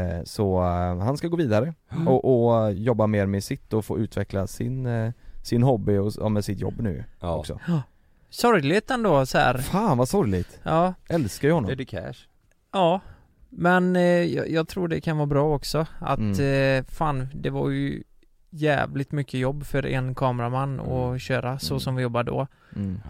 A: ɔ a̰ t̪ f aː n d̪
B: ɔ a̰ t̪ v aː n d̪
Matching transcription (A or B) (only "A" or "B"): A